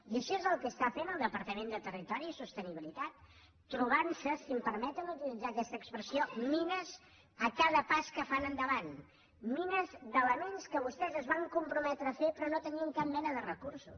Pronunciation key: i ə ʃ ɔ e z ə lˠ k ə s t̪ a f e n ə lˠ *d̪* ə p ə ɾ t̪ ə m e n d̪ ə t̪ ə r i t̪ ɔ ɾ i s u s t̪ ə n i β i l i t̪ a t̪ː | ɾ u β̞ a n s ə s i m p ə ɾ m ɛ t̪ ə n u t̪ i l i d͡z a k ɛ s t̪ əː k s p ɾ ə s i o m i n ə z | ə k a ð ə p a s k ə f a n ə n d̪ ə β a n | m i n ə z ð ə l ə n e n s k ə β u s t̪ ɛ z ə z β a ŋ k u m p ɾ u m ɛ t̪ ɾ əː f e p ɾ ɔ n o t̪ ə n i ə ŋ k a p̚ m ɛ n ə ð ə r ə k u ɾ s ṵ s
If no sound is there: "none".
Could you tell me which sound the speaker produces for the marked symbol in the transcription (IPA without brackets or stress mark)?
d̪